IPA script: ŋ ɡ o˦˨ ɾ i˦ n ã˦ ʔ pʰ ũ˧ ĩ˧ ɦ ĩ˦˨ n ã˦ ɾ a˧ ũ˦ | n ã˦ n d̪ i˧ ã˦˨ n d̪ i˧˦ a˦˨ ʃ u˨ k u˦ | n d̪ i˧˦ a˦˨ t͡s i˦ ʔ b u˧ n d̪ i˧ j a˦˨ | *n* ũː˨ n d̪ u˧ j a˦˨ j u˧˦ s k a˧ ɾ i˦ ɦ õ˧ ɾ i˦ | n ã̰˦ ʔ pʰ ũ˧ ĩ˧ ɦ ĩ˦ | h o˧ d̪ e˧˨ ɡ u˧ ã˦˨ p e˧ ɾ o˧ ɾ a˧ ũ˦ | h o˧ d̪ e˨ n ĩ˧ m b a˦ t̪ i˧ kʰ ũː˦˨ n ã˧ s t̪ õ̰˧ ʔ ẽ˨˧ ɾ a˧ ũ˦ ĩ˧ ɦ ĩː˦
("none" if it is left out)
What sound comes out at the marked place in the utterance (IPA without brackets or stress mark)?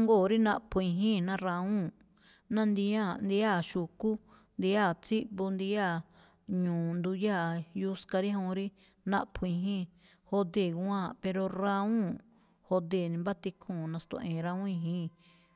ɲ